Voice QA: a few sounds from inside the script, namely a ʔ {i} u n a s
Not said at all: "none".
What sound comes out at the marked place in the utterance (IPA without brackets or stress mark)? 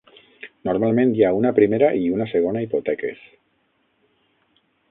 i